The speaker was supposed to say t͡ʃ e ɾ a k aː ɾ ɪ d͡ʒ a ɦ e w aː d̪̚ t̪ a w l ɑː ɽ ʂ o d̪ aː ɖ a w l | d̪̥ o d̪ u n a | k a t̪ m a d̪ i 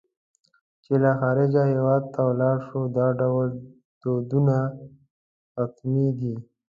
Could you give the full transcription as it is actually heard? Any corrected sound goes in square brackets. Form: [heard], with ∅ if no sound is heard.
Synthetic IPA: t͡ʃ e [l] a [x] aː ɾ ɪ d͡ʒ a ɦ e w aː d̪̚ t̪ a w l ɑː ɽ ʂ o d̪ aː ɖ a w l | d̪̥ o d̪ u n a | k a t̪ m [i] d̪ i